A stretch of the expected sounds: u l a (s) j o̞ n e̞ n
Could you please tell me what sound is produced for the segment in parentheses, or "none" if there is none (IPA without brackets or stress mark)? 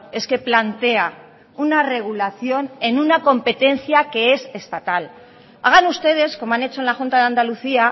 θ